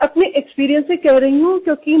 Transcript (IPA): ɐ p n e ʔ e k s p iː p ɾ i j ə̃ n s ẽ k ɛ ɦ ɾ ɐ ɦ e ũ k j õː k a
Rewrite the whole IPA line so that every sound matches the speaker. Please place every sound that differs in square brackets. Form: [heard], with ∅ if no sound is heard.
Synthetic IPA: ɐ p n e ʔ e k s p iː [∅] ɾ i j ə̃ n s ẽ k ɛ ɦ ɾ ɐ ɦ [i] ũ k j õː k [i]